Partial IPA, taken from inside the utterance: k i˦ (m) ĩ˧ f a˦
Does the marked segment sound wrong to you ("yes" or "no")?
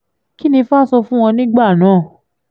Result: yes